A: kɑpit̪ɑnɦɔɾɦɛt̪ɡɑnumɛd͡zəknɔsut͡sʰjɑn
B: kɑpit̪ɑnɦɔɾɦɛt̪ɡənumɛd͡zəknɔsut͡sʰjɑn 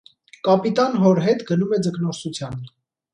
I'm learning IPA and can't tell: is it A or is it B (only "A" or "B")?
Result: B